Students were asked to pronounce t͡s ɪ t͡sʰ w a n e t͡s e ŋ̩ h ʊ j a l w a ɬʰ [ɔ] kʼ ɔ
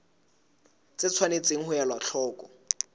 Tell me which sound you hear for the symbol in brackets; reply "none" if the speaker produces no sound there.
ɔː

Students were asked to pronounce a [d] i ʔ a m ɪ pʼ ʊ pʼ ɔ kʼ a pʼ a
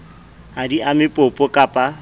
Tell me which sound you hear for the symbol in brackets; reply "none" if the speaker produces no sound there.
d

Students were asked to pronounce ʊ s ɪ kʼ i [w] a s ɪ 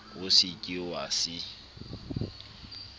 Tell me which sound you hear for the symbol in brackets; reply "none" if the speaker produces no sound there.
w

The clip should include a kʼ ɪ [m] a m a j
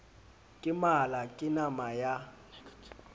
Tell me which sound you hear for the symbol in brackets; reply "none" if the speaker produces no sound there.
n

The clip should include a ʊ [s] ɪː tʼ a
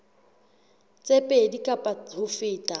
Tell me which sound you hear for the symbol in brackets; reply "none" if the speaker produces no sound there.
f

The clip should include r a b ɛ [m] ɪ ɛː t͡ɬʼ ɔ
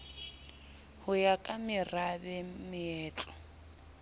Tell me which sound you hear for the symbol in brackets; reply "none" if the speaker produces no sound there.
m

